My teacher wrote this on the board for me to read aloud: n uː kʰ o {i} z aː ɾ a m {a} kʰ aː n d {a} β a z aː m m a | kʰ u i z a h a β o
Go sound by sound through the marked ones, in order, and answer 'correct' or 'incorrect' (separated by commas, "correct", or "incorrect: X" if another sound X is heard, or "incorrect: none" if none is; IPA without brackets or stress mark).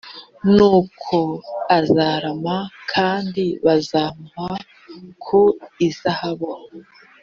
incorrect: a, correct, incorrect: i